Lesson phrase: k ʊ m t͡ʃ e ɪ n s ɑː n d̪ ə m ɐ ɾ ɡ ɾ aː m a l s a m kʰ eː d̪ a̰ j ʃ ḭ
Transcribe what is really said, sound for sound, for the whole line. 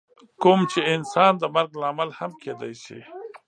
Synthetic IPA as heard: k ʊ m t͡ʃ e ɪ n s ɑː n d̪ ə m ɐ ɾ ɡ l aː m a l h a m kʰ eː d̪ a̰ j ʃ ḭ